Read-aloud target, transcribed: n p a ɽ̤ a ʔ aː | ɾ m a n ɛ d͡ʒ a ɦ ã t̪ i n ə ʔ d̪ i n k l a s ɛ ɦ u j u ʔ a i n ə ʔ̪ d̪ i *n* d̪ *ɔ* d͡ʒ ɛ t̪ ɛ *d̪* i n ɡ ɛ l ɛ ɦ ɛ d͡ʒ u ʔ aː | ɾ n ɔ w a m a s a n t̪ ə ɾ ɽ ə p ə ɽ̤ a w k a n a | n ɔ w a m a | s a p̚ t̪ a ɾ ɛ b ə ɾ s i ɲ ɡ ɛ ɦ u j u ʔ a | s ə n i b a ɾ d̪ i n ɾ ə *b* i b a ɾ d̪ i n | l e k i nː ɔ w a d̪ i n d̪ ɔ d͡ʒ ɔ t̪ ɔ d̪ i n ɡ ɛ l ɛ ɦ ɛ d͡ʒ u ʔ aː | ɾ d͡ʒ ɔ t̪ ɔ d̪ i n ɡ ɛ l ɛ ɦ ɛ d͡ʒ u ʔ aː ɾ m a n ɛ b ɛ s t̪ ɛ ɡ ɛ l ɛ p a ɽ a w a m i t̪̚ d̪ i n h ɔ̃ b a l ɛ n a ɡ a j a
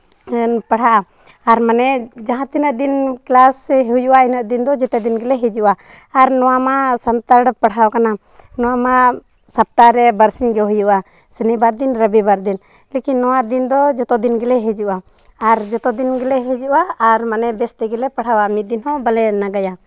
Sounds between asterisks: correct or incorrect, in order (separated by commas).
correct, correct, correct, correct